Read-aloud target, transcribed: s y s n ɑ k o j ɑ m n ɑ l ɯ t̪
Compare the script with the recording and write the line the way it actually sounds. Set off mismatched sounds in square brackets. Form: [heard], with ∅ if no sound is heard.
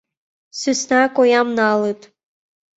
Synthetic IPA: s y s n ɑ k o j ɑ m n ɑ l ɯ t̪